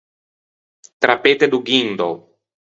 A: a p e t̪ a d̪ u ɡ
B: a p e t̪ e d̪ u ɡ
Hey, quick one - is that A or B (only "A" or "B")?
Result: B